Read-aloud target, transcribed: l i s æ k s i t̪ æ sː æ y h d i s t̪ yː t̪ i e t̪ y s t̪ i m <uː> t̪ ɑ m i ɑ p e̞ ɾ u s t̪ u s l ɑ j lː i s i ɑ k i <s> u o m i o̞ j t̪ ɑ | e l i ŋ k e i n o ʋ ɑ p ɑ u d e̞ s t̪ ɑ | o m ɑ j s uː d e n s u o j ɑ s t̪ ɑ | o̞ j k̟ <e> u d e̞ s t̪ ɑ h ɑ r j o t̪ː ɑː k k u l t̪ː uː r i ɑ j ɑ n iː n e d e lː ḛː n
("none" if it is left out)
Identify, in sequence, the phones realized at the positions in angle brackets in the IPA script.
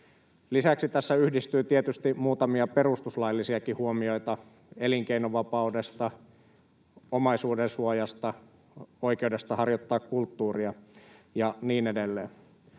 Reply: uː, h, e

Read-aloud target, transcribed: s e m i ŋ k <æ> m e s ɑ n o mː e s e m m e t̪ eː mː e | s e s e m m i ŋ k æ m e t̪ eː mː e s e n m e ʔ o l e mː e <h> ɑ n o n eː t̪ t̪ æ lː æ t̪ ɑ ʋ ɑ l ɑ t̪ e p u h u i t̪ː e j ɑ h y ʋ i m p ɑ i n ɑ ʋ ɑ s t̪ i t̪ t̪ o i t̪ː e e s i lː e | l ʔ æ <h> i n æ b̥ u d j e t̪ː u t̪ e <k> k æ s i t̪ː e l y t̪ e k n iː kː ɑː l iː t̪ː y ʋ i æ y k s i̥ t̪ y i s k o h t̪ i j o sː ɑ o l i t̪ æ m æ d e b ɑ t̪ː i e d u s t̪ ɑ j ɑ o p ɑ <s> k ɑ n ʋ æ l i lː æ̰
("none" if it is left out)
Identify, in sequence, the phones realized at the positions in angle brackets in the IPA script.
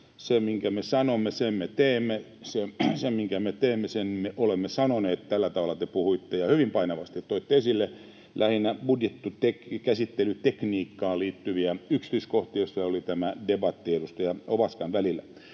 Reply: æ, s, h, k, s

